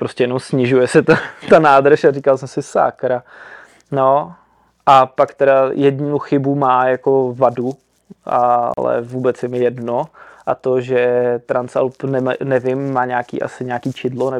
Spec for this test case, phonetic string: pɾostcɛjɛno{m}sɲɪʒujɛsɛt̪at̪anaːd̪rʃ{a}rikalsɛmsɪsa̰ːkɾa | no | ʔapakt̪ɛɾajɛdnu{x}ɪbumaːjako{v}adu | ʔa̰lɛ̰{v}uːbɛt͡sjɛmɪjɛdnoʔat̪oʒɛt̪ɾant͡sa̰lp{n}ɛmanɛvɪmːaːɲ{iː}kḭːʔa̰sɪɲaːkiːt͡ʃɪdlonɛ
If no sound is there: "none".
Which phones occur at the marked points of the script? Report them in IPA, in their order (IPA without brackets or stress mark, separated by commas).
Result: m, a, x, v, v, n, aː